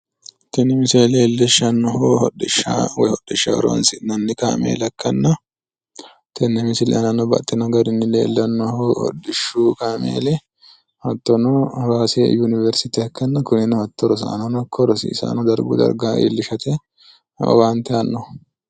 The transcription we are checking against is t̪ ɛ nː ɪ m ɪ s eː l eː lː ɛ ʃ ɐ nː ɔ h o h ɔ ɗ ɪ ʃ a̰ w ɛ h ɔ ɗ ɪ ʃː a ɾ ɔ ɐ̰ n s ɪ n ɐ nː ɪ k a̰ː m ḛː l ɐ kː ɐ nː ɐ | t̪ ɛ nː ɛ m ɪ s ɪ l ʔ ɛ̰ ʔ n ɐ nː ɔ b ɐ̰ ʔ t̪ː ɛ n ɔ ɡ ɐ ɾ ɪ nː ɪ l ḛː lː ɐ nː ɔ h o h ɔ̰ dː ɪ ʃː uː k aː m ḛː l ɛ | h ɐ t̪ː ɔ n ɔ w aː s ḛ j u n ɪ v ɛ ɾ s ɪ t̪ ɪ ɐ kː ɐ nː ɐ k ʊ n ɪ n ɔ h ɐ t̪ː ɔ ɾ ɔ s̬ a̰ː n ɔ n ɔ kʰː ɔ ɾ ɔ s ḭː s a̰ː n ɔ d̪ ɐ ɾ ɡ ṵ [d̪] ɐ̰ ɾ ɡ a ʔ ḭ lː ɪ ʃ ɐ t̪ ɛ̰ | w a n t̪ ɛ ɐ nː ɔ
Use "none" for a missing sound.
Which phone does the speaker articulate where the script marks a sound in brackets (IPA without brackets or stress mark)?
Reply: d̪